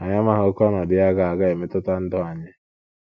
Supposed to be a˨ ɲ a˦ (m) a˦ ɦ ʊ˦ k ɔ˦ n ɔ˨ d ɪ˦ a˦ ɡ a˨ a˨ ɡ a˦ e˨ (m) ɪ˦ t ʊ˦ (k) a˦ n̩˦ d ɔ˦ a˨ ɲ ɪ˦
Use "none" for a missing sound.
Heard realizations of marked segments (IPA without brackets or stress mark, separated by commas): m, m, t